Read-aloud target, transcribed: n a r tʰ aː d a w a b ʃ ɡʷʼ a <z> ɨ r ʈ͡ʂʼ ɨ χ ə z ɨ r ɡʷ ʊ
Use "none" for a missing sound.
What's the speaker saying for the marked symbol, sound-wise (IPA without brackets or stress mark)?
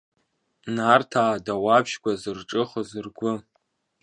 z